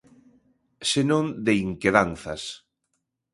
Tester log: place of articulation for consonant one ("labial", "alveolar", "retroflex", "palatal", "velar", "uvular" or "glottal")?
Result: alveolar